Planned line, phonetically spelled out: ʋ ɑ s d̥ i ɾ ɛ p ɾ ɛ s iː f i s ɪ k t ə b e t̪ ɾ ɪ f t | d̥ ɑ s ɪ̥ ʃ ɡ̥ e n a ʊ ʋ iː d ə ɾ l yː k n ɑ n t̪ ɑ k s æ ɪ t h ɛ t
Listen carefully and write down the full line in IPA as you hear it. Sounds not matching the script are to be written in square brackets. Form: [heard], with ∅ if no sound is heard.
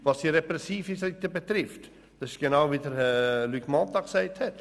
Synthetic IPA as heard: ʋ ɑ s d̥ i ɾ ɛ p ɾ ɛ s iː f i s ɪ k t ə b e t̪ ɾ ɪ f t | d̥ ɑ s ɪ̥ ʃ ɡ̥ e n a ʊ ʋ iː d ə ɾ l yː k [m] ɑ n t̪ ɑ k s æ ɪ t h ɛ t